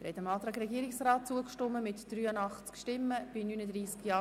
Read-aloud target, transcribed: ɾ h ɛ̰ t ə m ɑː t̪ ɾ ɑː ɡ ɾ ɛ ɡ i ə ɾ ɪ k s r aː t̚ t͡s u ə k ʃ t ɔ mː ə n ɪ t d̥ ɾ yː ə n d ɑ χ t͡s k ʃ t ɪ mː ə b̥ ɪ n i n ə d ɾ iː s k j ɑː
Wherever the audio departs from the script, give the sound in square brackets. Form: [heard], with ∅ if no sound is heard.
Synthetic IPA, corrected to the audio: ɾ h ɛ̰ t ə m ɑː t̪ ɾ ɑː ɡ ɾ ɛ ɡ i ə ɾ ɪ k s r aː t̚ t͡s u ə k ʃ t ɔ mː ə [m] ɪ t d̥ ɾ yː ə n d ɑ χ t͡s k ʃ t ɪ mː ə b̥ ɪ n [y] n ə d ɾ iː s k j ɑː